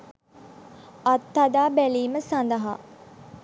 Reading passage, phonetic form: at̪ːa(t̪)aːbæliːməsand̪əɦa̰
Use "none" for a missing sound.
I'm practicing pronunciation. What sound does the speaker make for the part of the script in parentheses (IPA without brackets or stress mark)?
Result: d̪